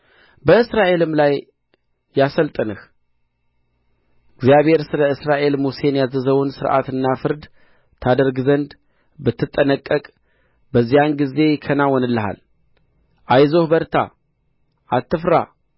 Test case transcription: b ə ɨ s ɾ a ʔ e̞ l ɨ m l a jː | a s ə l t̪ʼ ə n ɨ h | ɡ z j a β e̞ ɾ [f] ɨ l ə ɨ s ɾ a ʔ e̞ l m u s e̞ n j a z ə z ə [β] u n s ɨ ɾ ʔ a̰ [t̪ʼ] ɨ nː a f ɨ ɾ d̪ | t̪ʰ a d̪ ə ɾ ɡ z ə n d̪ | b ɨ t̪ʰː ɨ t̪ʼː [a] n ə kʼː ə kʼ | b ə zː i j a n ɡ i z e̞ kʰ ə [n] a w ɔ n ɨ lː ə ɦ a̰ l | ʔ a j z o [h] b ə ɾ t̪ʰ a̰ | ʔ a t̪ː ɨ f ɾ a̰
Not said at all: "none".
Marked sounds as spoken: s, w, t̪, ə, n, h

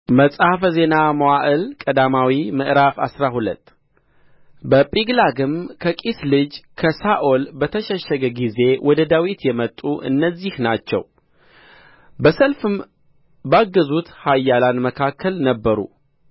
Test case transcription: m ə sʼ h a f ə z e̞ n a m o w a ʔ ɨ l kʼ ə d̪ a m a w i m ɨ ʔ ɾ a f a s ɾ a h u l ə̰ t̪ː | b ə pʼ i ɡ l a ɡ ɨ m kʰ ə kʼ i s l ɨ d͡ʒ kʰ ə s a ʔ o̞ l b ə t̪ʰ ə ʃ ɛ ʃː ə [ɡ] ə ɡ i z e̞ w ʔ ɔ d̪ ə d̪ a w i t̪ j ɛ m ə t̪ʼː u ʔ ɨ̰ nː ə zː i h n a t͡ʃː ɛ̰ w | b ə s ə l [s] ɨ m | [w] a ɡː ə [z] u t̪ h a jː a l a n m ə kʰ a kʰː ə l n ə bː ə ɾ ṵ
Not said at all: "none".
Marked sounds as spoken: ɡ, f, b, z

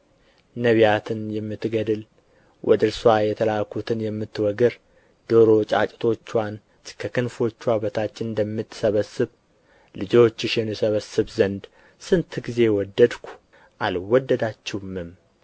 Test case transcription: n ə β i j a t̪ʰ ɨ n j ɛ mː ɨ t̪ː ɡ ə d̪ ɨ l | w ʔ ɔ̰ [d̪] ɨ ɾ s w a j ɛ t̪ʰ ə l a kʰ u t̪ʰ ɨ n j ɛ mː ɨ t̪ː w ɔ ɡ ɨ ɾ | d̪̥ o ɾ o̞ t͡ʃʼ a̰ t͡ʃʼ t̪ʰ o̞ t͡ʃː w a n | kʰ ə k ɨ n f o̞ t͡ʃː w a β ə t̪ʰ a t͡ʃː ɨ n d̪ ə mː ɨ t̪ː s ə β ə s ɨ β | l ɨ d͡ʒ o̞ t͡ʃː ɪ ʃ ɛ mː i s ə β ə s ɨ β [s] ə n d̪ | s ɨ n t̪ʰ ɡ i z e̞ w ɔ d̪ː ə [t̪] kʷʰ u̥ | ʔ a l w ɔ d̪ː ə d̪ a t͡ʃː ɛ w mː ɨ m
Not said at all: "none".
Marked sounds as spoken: d̪, z, d̪

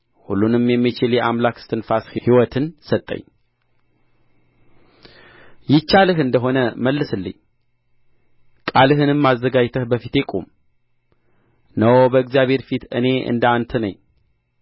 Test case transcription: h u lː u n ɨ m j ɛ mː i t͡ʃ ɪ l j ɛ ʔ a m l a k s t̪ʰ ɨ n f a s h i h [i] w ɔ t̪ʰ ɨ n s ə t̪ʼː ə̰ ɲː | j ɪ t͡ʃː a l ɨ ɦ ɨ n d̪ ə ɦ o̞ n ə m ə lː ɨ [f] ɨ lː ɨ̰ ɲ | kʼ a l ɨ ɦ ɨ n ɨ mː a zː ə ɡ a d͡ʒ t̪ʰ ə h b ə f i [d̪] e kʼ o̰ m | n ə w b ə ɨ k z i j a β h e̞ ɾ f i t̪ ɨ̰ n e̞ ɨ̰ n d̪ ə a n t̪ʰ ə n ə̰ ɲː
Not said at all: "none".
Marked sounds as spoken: i, s, t̪

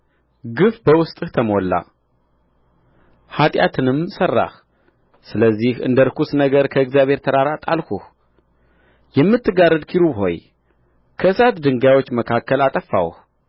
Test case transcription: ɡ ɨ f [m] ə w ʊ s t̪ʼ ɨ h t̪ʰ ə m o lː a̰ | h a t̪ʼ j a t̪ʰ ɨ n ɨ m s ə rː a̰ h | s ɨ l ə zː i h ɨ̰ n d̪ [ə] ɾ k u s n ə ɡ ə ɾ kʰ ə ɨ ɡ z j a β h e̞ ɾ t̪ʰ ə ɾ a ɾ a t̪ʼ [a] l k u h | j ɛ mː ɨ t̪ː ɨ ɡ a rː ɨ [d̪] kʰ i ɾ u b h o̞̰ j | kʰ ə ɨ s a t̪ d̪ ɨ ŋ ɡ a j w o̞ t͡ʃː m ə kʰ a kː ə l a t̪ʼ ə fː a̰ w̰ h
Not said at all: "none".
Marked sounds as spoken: b, ə, a, d̪

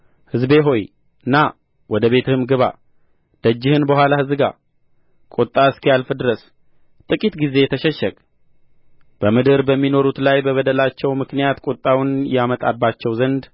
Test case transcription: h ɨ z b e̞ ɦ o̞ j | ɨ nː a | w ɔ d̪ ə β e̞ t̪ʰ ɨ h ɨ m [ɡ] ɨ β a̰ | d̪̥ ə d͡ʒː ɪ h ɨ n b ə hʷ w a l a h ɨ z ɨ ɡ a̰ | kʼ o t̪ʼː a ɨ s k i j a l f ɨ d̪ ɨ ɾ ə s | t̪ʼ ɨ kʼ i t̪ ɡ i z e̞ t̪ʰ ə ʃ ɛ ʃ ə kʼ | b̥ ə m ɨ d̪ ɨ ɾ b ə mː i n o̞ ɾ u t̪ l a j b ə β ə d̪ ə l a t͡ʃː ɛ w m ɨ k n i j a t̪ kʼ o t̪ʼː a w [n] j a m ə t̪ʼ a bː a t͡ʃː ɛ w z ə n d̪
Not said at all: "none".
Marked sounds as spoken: ɡ, n

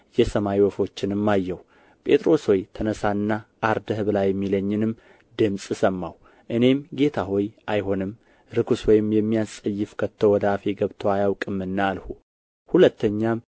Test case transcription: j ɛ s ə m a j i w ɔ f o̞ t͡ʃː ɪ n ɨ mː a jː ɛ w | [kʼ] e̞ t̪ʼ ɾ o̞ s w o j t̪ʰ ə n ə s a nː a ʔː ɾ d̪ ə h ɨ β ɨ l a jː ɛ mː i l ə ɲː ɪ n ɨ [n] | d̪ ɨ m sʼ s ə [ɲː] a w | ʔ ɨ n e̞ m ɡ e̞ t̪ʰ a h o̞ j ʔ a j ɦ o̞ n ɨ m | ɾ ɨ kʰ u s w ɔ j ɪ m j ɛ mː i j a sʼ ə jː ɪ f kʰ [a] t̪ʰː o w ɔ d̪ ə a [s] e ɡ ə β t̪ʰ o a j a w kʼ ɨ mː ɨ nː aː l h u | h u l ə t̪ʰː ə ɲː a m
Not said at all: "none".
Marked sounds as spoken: pʼ, m, mː, ə, f

